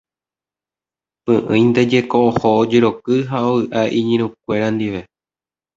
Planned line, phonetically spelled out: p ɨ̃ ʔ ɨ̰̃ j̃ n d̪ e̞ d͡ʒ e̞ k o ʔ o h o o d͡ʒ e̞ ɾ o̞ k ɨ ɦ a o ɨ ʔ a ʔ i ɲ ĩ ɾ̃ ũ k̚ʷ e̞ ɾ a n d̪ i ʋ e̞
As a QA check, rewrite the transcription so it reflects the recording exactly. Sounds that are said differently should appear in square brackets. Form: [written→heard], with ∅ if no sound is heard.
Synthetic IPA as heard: p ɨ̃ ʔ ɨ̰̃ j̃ n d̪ e̞ d͡ʒ e̞ k o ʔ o h o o d͡ʒ e̞ ɾ o̞ k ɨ ɦ a o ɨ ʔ a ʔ i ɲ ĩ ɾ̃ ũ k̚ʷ e̞ ɾ a n d̪ i ʋ e̞